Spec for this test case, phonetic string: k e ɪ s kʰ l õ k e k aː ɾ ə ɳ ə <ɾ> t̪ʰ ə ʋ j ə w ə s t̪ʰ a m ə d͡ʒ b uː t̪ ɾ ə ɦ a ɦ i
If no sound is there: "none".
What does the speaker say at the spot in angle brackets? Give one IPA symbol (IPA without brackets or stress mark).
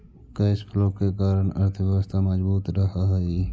ɾ